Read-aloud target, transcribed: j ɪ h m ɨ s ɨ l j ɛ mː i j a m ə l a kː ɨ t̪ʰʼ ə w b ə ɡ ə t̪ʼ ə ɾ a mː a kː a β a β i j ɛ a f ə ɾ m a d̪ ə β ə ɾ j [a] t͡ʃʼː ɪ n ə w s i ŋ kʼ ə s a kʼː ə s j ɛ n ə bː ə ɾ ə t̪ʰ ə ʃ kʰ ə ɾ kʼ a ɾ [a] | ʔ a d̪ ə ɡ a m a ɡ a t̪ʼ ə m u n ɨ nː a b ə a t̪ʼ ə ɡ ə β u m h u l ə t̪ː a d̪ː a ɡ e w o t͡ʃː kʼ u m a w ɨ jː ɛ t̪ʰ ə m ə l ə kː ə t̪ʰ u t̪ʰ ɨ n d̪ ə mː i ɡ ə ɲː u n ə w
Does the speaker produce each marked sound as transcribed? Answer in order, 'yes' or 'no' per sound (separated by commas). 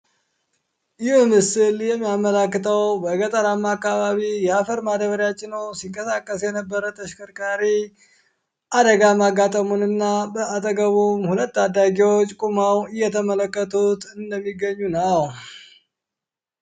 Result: yes, no